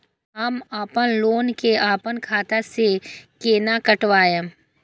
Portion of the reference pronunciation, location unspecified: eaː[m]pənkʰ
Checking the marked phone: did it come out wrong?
yes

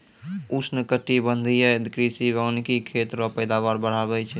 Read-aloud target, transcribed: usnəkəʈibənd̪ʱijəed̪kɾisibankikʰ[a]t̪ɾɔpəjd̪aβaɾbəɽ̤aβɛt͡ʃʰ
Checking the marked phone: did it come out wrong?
yes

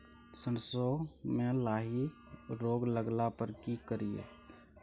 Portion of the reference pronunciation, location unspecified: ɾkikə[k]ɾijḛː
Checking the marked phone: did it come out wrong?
yes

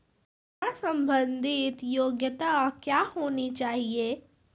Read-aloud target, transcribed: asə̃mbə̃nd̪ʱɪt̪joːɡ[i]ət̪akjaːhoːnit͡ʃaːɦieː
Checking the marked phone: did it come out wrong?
yes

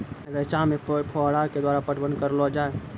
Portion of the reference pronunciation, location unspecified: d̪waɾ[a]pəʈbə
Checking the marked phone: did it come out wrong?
no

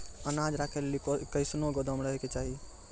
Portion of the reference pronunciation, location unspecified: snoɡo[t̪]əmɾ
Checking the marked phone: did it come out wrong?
yes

